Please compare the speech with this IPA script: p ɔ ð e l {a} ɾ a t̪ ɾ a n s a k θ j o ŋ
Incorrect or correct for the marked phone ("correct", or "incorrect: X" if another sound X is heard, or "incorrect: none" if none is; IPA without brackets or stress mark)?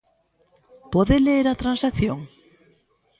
incorrect: e